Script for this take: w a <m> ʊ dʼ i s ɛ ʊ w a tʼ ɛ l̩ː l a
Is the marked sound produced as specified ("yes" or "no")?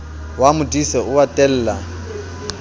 yes